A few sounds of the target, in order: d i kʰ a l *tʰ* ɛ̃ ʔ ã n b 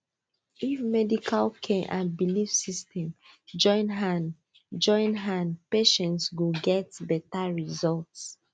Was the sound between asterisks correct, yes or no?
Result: no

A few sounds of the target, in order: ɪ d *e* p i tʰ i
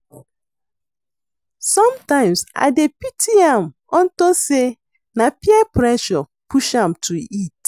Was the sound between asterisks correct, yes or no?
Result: yes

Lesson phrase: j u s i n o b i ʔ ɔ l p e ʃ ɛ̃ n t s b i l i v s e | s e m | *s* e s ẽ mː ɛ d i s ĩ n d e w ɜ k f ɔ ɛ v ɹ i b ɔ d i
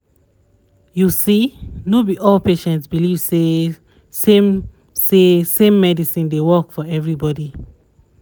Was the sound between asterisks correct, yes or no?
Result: yes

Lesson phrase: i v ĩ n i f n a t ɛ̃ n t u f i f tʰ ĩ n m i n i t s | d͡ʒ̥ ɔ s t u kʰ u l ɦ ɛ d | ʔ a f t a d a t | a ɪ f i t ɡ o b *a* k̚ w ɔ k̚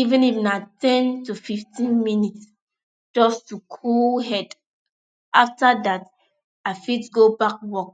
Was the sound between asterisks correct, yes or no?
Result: yes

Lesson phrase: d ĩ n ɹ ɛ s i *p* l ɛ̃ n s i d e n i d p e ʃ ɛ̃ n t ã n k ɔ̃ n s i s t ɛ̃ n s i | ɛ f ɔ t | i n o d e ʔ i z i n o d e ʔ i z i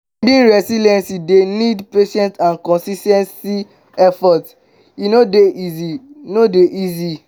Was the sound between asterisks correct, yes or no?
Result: no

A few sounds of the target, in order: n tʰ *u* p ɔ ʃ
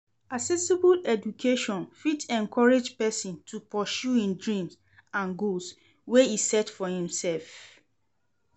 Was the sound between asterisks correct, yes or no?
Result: yes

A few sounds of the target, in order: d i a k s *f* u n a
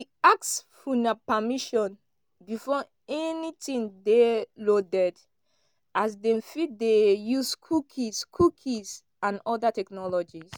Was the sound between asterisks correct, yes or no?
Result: yes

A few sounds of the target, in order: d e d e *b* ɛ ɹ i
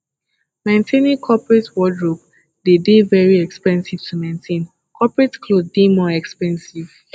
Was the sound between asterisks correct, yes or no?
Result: no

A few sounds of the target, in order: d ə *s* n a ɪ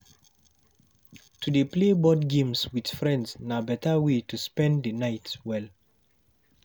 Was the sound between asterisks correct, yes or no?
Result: no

